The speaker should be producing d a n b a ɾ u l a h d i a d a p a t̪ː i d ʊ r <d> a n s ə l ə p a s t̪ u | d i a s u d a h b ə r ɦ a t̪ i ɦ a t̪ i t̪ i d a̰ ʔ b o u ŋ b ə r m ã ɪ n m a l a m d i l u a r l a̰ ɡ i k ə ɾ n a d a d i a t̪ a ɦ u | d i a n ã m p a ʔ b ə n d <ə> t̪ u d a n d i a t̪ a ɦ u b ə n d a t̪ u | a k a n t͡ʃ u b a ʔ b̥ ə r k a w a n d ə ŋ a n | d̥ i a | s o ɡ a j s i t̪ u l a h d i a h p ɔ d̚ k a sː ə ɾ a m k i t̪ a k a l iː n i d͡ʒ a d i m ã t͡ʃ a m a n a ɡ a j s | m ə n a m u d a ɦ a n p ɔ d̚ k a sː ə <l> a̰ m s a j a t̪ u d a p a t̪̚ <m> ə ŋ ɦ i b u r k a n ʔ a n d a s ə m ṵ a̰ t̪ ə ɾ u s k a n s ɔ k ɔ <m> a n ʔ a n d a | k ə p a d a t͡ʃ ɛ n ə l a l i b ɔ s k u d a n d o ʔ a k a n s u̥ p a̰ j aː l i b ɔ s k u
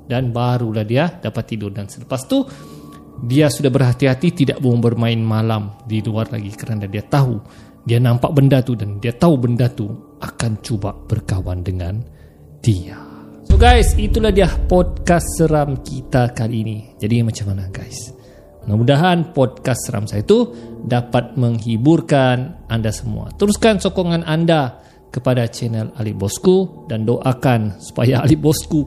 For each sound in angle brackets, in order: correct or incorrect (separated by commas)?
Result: correct, incorrect, incorrect, correct, incorrect